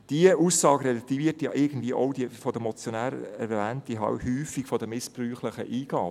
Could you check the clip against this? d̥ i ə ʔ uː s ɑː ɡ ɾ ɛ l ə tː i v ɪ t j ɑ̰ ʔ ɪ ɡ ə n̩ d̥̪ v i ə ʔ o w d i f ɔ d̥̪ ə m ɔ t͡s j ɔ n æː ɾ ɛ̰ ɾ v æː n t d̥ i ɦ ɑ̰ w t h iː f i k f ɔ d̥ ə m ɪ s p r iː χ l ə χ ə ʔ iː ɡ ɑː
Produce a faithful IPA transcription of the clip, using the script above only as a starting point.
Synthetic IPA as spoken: d̥ i ə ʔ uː s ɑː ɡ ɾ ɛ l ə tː i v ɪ t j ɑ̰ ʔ ɪ ɡ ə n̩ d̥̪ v i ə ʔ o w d i f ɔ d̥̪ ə m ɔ t͡s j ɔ n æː ɾ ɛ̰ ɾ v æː n t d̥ i ɦ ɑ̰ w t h yː f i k f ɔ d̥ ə m ɪ s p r yː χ l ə χ ə ʔ iː ɡ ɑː